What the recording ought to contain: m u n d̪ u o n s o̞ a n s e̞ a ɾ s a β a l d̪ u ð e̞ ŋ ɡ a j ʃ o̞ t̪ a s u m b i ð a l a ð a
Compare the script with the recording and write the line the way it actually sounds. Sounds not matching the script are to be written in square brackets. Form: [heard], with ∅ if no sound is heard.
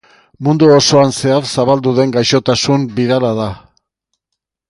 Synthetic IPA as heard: m u n d̪ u o [∅] s o̞ a n s e̞ a ɾ s a β a l d̪ u ð e̞ ŋ ɡ a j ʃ o̞ t̪ a s u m b i ð a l a ð a